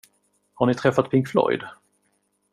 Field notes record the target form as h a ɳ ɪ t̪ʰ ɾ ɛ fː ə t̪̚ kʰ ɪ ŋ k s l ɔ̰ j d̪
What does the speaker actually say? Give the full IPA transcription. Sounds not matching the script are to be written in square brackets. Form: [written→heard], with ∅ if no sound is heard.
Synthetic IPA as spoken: h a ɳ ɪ t̪ʰ ɾ ɛ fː [ə→a] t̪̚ [kʰ→pʰ] ɪ ŋ k [s→f] l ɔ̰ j d̪